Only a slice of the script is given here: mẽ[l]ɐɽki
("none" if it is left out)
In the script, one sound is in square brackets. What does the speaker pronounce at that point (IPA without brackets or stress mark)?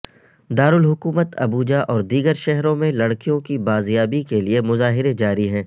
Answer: l